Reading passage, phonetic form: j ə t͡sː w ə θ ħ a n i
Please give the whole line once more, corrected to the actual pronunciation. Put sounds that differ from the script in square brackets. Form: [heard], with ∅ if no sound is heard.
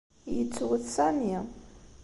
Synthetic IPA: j ə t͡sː w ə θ [s] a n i